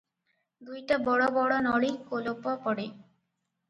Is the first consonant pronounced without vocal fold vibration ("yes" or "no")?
no